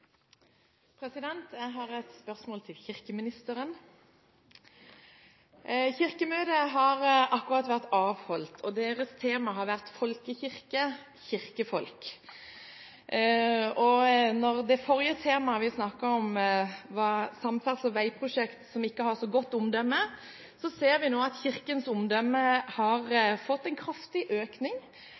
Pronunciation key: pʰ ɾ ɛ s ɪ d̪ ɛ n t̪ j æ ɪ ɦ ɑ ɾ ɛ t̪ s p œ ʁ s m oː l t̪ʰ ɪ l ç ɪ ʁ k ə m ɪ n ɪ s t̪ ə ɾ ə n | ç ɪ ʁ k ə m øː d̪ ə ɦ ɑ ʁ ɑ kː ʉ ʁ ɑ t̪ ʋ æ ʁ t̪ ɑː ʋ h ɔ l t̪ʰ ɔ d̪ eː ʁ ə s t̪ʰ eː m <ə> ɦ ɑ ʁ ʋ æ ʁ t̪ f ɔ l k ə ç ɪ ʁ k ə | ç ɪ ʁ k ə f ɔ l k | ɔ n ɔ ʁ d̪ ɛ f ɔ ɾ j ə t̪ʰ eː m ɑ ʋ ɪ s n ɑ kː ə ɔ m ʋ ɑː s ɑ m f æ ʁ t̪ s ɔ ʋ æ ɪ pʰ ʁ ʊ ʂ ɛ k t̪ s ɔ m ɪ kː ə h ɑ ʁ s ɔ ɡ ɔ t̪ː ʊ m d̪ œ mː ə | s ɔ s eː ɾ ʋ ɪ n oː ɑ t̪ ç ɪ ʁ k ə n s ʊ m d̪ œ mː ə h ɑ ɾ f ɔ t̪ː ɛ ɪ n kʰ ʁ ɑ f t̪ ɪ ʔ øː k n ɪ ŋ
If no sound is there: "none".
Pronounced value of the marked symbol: ɑ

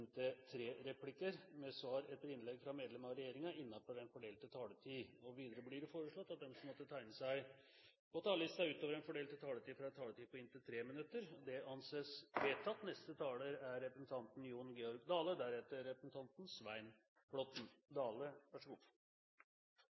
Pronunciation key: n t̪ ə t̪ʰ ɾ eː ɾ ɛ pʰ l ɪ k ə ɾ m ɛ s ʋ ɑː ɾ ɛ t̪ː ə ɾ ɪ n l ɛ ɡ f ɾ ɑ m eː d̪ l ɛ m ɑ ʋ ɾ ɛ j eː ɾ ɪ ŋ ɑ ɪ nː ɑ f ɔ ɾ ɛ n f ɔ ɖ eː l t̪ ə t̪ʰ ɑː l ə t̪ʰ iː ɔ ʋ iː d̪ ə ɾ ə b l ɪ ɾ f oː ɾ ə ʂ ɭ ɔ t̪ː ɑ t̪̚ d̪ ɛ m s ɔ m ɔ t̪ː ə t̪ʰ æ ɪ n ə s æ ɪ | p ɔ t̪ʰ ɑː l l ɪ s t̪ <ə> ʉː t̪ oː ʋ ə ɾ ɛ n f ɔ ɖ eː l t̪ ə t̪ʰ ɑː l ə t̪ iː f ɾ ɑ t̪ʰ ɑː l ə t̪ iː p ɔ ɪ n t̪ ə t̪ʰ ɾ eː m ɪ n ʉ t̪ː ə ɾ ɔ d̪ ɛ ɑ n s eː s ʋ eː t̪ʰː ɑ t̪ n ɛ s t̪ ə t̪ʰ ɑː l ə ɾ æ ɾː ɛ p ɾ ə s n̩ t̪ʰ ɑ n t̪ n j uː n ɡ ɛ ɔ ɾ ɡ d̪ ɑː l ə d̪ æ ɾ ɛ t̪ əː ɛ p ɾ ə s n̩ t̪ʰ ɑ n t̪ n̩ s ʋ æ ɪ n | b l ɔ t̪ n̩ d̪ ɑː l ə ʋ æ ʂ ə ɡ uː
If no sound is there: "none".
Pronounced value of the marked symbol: ɑ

